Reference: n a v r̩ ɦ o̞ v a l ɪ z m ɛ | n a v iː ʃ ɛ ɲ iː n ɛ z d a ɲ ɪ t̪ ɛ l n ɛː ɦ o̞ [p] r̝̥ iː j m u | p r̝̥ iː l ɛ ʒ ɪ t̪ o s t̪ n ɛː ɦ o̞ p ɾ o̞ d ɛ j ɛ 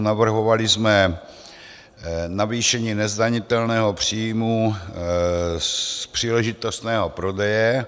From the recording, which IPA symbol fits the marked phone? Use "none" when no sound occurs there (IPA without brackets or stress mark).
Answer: p